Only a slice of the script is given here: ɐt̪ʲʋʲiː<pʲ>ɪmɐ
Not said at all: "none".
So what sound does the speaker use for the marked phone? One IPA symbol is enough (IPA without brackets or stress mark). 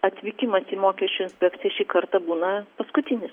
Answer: kʲ